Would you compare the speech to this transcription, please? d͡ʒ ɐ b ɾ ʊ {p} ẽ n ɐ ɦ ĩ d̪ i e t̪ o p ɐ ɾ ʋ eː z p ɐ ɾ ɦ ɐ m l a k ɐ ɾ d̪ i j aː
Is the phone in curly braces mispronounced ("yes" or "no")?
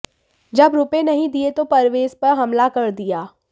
no